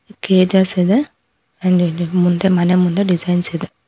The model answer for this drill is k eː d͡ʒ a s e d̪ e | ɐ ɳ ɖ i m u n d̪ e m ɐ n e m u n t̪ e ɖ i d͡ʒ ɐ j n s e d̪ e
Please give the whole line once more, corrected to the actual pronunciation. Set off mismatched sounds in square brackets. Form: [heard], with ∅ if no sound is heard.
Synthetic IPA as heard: k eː d͡ʒ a s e d̪ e | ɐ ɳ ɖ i m u n d̪ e m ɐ n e m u n [d̪] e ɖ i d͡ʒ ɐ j n s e d̪ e